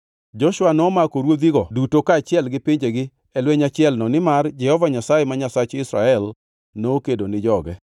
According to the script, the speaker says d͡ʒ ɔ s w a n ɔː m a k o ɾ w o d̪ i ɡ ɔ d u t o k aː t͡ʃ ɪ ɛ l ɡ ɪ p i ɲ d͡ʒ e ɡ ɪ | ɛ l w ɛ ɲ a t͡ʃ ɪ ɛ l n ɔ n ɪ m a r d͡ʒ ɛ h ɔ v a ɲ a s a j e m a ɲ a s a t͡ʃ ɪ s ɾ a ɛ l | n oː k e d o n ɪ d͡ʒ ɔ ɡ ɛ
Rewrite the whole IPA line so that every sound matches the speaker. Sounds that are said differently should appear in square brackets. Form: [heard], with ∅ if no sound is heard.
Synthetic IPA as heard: d͡ʒ ɔ [ʃ] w a n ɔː m a k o ɾ w o d̪ i ɡ ɔ d u t o k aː t͡ʃ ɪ ɛ l ɡ ɪ p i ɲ d͡ʒ e ɡ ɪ | ɛ l w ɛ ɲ a t͡ʃ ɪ ɛ l n ɔ n ɪ m a r d͡ʒ ɛ h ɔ v a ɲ a s a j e m a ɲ a s a t͡ʃ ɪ s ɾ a ɛ l | n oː k e d o n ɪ d͡ʒ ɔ ɡ ɛ